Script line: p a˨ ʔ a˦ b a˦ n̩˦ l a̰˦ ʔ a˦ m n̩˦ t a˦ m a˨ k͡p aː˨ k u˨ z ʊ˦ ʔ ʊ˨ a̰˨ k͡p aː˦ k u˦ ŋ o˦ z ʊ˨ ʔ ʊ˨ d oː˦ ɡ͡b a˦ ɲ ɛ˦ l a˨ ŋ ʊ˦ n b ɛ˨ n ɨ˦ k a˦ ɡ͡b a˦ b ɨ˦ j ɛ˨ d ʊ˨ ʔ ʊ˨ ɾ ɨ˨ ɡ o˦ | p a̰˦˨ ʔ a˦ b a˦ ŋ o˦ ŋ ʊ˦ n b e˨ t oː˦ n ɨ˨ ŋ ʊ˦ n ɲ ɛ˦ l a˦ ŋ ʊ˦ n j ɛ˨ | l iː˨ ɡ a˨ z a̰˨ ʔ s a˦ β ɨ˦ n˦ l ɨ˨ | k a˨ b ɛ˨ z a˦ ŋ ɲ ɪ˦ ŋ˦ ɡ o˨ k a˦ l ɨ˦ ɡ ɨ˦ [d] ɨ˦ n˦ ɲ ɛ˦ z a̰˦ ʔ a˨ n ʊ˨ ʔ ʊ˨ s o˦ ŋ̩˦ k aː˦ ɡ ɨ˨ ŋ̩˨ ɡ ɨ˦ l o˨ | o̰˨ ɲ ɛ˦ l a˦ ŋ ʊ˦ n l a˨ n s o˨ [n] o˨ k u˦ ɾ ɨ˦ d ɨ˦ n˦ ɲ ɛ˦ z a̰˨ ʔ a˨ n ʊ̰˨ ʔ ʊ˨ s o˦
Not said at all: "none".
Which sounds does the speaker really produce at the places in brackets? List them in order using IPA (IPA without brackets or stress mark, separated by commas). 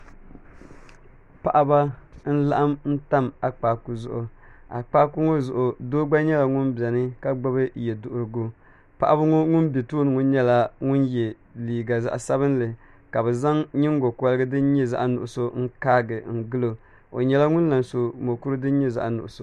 d, m